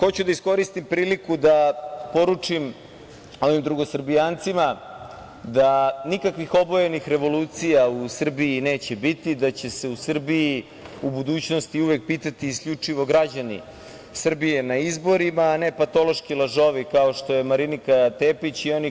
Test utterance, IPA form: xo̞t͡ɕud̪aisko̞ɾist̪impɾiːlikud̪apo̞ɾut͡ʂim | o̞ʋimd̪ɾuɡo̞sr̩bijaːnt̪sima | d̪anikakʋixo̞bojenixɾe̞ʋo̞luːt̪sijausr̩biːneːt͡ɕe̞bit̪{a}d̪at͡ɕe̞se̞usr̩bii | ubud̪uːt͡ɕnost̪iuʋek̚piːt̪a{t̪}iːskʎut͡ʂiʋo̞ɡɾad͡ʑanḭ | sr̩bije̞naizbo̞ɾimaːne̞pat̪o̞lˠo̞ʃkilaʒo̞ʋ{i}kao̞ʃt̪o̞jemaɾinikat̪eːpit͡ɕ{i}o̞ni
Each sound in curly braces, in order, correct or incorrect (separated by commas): incorrect, correct, correct, correct